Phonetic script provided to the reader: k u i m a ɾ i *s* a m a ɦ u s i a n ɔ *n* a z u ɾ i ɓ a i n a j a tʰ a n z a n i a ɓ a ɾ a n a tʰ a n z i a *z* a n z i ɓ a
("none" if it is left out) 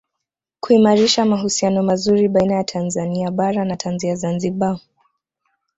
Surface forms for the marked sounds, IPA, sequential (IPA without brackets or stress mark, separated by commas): ʃ, m, z